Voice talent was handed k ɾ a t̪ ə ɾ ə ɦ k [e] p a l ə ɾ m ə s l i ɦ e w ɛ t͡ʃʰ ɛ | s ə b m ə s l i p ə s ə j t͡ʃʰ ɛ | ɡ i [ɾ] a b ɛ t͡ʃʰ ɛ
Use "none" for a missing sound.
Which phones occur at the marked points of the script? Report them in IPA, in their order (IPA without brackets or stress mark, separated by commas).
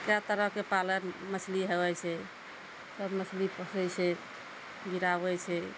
e, ɾ